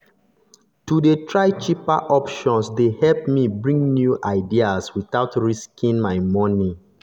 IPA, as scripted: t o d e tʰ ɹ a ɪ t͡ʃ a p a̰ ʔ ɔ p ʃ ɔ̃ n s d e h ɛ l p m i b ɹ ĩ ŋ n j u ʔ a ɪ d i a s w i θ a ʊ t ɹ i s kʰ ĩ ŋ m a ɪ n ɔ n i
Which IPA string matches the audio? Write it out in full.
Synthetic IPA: t u d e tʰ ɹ a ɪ t͡ʃ i p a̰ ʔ ɔ p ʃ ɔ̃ n s d e h ɛ l p m i b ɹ ĩ ŋ n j u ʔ a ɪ d i a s w i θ a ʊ t ɹ i s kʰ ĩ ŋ m a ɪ m ɔ n i